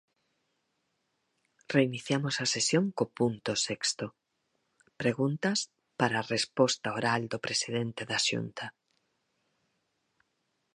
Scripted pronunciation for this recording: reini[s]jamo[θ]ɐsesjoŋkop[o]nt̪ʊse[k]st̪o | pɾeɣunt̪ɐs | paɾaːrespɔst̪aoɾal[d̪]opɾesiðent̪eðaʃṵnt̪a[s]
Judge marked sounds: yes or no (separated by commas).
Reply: no, no, no, yes, yes, no